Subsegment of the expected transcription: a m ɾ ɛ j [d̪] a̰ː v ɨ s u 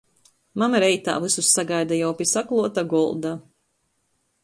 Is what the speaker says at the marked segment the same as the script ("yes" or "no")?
no